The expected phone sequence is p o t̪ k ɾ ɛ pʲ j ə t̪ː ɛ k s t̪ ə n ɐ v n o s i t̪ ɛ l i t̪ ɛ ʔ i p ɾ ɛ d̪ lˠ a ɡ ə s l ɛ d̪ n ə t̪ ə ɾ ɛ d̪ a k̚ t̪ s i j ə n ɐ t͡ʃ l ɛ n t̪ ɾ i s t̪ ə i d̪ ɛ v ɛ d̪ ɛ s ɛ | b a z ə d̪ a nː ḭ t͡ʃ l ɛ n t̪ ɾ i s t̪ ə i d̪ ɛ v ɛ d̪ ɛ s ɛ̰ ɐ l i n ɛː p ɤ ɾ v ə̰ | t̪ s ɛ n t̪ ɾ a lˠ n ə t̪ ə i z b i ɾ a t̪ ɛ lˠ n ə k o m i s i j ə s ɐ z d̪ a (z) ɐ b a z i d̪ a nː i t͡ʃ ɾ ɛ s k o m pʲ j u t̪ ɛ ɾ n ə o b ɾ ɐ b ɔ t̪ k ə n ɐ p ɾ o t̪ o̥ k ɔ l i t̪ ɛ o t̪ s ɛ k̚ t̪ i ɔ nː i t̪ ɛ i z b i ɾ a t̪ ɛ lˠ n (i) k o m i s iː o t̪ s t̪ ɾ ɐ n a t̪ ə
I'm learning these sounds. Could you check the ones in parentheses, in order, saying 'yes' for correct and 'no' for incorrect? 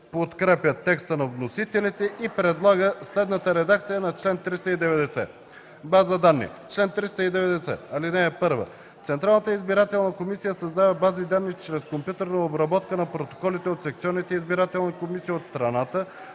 no, yes

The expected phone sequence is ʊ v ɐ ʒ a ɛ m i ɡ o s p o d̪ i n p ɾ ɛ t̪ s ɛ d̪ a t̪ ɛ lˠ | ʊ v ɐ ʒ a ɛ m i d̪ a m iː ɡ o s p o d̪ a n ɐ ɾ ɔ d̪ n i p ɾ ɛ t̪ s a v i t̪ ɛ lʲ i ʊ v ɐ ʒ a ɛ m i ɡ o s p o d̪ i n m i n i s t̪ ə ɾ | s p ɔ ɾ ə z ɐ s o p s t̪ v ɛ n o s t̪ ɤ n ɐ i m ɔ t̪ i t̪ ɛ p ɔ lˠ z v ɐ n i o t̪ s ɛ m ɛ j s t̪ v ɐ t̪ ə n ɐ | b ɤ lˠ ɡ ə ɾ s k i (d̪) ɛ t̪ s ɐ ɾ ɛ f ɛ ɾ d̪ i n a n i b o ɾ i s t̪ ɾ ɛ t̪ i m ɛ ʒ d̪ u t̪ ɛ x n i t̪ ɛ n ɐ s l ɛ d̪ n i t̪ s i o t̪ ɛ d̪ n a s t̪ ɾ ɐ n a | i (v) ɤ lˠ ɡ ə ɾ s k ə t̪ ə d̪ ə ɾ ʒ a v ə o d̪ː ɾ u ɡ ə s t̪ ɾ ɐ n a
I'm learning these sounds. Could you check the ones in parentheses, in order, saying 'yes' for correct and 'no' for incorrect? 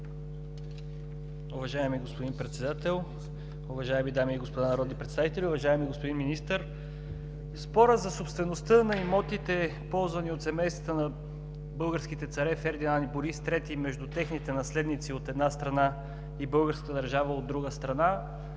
no, no

